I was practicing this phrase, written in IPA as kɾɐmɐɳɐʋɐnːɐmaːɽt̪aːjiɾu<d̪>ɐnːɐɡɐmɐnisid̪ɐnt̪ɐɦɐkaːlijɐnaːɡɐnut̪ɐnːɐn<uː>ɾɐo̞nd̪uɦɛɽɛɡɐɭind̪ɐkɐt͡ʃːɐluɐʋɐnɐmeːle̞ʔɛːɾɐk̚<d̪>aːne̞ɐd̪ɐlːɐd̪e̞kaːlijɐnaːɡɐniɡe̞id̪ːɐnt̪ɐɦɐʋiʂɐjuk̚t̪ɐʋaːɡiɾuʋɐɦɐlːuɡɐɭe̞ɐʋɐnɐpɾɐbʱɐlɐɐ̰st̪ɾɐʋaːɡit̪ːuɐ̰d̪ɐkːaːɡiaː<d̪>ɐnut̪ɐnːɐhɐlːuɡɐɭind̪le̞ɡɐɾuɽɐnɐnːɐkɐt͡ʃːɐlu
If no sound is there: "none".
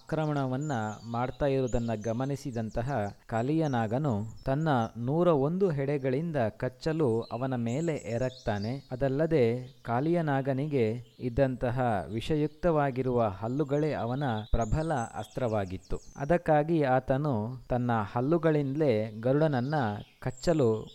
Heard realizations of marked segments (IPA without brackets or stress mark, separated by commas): d̪, uː, t̪, t̪